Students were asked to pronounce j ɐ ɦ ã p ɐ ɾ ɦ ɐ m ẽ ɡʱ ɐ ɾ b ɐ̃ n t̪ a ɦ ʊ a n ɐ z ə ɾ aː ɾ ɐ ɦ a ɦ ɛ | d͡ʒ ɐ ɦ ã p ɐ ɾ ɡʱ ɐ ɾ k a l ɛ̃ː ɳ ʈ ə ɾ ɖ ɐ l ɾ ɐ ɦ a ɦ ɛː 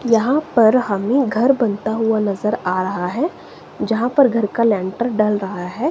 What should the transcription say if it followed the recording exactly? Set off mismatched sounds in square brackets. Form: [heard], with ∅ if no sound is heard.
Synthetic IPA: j ɐ ɦ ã p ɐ ɾ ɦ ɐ m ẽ ɡʱ ɐ ɾ b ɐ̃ n t̪ a ɦ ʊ a n ɐ z ə ɾ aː ɾ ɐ ɦ a ɦ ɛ | d͡ʒ ɐ ɦ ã p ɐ ɾ ɡʱ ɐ ɾ k a l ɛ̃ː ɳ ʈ ə ɾ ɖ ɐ l ɾ ɐ ɦ a ɦ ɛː

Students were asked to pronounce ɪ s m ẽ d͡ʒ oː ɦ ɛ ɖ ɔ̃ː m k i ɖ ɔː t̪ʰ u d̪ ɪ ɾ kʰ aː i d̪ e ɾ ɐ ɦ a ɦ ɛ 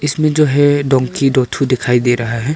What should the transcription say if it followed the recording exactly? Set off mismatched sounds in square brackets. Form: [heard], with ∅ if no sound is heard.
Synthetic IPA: ɪ s m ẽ d͡ʒ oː ɦ ɛ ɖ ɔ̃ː [ŋ] k i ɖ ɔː t̪ʰ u d̪ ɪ [∅] kʰ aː i d̪ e ɾ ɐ ɦ a ɦ ɛ

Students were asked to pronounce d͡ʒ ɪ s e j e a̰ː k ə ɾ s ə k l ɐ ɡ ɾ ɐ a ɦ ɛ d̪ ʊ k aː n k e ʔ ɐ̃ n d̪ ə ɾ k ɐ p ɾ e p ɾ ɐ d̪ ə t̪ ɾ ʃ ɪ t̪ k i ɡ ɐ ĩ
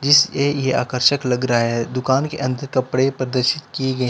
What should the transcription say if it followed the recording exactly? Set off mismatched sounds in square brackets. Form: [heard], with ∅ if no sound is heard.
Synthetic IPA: d͡ʒ ɪ s e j e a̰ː k ə ɾ [ʃ] ə k l ɐ ɡ ɾ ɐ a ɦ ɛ d̪ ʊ k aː n k e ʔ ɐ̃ n d̪ ə ɾ k ɐ p [ɽ] e p ɾ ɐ d̪ ə [∅] ɾ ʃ ɪ t̪ k i ɡ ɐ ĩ

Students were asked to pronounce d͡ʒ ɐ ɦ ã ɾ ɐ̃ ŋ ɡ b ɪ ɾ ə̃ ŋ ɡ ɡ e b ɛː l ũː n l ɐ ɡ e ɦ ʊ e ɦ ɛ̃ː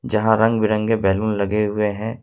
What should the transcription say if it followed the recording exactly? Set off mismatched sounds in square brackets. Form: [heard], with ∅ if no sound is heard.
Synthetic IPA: d͡ʒ ɐ ɦ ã ɾ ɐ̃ ŋ ɡ b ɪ ɾ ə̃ ŋ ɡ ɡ e b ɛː l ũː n l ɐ ɡ e ɦ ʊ e ɦ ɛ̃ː

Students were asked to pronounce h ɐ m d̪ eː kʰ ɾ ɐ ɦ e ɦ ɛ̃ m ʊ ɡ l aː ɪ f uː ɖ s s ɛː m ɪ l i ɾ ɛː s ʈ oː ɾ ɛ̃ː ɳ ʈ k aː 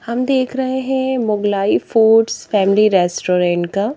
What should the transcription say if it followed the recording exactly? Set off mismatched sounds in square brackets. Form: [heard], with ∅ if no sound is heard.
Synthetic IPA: h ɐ m d̪ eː kʰ ɾ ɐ ɦ e ɦ ɛ̃ m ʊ ɡ l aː [i] f uː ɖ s [f] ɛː m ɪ l i ɾ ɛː s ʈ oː ɾ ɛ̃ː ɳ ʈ k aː

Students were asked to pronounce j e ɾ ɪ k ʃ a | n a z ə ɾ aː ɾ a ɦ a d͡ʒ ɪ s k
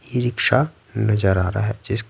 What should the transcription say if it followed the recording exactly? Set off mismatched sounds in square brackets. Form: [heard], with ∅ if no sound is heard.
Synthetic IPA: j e ɾ ɪ k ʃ a | n [ɐ] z ə ɾ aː ɾ a ɦ [ɛ] d͡ʒ ɪ s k

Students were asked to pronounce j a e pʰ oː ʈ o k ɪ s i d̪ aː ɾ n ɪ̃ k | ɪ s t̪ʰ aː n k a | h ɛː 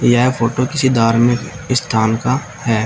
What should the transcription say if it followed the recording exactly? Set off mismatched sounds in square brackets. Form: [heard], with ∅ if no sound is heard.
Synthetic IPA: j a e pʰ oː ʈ o k ɪ s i d̪ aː ɾ [m] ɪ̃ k | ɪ s t̪ʰ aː n k a | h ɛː

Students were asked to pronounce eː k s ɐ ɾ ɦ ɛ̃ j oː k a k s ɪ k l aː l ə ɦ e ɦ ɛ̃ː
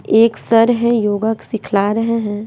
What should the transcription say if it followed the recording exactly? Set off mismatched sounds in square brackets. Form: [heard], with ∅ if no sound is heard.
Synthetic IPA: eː k s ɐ ɾ ɦ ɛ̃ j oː [ɡ] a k s ɪ [kʰ] l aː [ɾ] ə ɦ e ɦ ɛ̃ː

